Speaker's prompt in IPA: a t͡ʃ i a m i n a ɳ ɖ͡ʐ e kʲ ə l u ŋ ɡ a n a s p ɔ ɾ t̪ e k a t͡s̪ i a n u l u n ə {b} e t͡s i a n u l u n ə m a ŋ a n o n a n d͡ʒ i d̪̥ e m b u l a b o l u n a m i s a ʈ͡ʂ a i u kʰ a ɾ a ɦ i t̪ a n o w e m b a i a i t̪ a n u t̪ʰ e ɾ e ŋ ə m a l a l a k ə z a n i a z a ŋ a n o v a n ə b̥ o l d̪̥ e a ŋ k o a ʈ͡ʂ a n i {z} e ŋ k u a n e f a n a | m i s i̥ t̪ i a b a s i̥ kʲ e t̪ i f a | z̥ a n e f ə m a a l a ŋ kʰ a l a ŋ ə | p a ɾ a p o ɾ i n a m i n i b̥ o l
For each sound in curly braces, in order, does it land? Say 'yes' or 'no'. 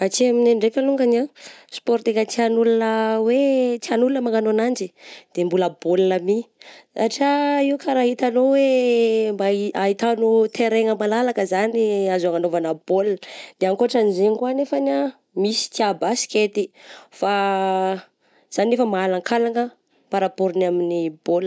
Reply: no, yes

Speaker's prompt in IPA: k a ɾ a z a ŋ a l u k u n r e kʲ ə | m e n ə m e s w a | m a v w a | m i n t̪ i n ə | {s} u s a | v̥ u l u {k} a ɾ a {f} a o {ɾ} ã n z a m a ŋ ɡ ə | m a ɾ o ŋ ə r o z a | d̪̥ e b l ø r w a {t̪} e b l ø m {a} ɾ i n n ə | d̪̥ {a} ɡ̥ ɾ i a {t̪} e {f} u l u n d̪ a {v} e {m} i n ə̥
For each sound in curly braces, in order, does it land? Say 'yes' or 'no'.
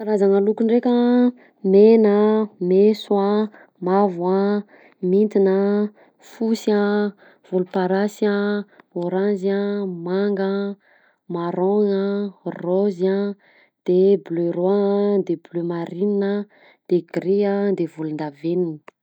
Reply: no, no, no, yes, no, yes, no, no, no, yes, no

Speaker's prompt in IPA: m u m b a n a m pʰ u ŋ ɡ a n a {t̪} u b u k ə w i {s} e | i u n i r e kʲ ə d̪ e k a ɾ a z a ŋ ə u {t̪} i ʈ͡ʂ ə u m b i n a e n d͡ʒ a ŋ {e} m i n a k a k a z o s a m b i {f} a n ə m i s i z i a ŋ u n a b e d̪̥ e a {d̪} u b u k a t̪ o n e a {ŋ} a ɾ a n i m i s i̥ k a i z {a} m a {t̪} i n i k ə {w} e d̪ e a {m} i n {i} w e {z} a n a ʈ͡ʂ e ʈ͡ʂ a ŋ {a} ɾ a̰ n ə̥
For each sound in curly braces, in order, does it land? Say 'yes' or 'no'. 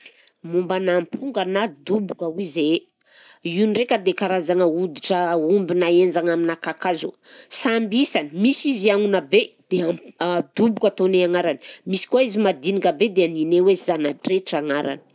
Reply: no, no, no, no, no, yes, yes, no, no, no, no, no, yes, yes

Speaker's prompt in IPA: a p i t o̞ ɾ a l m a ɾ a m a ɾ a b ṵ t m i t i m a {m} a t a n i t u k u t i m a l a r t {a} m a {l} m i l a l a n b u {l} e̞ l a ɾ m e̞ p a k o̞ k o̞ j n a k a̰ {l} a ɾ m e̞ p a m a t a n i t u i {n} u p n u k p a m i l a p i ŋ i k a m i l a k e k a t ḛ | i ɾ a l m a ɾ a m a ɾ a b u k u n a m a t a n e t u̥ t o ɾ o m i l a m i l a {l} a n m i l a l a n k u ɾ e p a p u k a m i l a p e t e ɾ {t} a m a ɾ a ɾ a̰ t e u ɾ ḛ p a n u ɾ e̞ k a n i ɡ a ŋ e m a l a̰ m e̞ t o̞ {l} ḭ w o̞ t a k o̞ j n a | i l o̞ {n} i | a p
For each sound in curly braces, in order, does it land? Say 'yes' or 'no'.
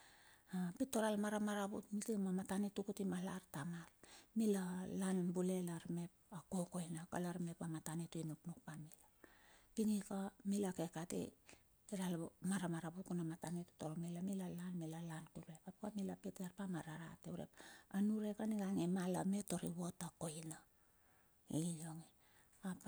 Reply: yes, yes, yes, yes, yes, yes, yes, no, no, no

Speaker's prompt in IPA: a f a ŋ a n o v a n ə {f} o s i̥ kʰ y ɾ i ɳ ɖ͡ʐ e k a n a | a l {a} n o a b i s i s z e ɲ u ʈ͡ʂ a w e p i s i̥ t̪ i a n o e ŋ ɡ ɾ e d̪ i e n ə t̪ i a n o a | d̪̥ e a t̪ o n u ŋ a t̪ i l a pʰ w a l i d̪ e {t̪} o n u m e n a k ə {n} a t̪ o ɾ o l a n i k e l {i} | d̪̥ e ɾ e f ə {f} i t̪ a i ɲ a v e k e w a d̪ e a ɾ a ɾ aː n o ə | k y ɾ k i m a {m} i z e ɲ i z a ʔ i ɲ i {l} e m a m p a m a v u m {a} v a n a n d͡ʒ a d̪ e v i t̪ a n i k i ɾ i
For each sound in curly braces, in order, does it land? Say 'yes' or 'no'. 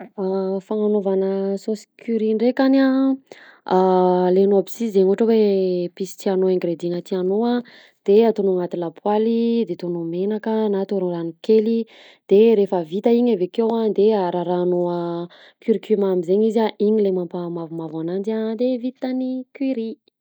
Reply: no, no, yes, yes, yes, no, yes, yes, yes

